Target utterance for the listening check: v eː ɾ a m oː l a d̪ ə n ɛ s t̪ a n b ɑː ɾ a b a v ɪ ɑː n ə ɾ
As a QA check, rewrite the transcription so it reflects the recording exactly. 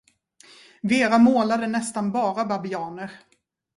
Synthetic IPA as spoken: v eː ɾ a m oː l a d̪ ə n ɛ s t̪ a n b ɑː ɾ a b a b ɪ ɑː n ə ɾ

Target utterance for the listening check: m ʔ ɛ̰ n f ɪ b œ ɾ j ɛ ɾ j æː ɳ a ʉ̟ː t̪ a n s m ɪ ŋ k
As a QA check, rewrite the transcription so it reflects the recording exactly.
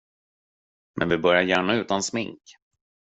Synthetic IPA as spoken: m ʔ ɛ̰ n v ɪ b œ ɾ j a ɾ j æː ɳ a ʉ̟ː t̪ a n s m ɪ ŋ k

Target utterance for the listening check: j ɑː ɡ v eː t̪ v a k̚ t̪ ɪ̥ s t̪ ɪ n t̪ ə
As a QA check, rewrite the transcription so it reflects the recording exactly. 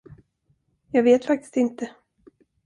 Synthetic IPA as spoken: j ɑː ɡ v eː t̪ f a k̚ t̪ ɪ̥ s t̪ ɪ n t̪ ə

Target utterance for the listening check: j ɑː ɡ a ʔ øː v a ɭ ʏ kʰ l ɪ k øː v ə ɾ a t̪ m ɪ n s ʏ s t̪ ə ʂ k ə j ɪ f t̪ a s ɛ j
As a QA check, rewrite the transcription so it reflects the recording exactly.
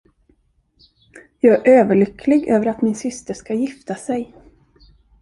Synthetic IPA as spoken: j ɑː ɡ æ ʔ øː v ə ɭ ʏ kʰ l ɪ ɡ øː v ə ɾ a t̪ m ɪ n s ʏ s t̪ ə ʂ k a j ɪ f t̪ a s ɛ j

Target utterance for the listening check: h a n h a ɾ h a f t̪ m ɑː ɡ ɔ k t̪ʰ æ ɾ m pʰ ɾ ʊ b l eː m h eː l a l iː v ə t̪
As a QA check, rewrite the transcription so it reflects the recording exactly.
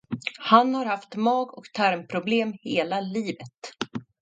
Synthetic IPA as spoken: h a n h a ɾ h a f t̪ m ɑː ɡ ɔ k t̪ʰ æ ɾ m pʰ ɾ ʊ b l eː m h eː l a l iː v ə t̪

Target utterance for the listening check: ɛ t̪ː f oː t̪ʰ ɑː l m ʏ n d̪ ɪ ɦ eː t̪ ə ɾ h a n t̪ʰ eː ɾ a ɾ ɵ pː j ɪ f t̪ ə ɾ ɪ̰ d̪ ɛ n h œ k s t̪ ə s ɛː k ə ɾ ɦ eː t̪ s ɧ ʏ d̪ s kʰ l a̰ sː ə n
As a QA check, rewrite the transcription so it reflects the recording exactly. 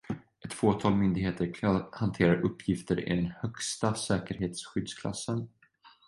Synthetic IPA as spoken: ɛ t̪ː f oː t̪ʰ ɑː l m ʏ n d̪ ɪ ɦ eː t̪ ə ɾ h a n t̪ʰ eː ɾ a ɾ ɵ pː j ɪ f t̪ ə ɾ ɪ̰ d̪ ɛ n h œ k s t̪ a s ɛː k ə ɾ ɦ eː t̪ s ɧ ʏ d̪ s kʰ l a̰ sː ə n

